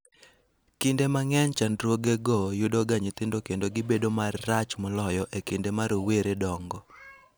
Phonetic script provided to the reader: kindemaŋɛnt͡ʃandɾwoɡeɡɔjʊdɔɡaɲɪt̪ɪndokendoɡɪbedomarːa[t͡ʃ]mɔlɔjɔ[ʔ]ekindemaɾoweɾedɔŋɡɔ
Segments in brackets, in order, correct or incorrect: correct, correct

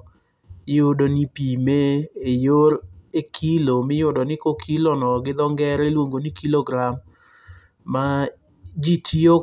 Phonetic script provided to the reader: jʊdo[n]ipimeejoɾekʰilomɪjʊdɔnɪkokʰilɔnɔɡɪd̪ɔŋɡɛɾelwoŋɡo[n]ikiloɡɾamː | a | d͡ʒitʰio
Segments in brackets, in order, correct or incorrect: correct, correct

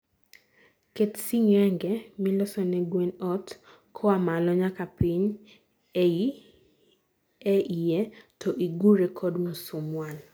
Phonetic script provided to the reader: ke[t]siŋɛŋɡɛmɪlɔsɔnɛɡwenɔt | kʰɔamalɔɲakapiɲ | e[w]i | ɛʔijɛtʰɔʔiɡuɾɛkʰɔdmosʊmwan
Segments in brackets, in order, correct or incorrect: correct, incorrect

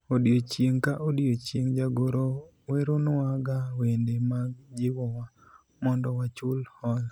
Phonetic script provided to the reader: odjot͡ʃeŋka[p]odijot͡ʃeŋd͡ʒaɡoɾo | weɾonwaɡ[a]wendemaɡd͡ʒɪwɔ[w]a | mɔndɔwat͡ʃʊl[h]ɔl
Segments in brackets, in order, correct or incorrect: incorrect, correct, correct, correct

